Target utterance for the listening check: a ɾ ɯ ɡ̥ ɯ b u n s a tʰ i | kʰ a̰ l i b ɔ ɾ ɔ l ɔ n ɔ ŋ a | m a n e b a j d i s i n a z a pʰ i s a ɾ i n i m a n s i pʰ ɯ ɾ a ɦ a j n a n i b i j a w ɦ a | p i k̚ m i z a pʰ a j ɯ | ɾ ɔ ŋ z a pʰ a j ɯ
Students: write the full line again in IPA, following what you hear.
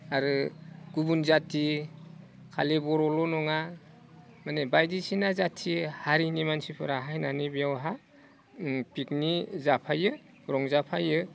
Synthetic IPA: a ɾ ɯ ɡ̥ u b u n z a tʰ i | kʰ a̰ l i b ɔ ɾ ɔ l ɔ n ɔ ŋ a | m a n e b a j d i s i n a z a tʰ i h a ɾ i n i m a n s i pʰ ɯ ɾ a ɦ a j n a n i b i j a w ɦ a | p i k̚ n i z a pʰ a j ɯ | ɾ ɔ ŋ z a pʰ a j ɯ